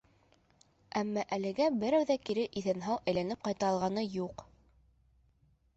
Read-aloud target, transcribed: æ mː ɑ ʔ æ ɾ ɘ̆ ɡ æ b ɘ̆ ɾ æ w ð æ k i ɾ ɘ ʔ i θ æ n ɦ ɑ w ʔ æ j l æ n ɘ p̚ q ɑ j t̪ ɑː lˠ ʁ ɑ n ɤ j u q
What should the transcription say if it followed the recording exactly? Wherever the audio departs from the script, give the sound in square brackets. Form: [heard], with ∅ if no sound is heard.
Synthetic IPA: æ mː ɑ ʔ æ [l] ɘ̆ ɡ æ b ɘ̆ ɾ æ w ð æ k i ɾ ɘ ʔ i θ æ n ɦ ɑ w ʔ æ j l æ n ɘ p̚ q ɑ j t̪ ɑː lˠ ʁ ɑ n ɤ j u q